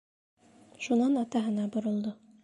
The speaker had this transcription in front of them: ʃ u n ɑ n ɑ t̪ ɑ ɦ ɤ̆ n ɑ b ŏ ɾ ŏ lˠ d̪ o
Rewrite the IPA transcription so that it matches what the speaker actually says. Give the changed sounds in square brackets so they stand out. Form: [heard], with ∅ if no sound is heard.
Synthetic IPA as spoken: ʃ u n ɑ n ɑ t̪ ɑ ɦ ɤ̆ n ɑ b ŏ ɾ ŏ lˠ d̪ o